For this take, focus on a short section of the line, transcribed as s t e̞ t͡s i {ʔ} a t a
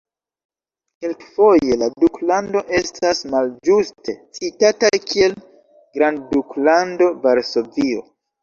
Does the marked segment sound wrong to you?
yes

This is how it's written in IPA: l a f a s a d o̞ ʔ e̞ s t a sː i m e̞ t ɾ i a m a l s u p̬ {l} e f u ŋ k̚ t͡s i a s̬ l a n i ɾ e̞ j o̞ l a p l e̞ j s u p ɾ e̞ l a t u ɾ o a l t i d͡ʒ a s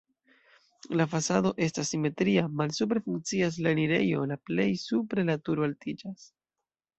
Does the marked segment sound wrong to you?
yes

